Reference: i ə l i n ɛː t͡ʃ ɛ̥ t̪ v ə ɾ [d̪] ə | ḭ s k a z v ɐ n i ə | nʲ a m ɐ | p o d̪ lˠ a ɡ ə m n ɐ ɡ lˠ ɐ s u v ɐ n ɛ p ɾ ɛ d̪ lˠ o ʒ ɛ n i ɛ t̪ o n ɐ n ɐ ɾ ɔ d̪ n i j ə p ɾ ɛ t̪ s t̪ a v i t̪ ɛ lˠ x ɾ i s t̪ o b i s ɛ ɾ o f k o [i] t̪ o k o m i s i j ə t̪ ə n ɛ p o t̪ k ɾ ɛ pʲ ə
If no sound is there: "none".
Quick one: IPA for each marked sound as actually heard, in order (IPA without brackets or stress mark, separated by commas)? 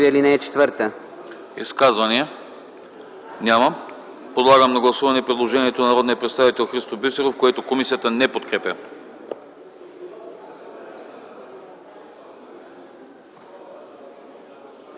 t̪, ɛ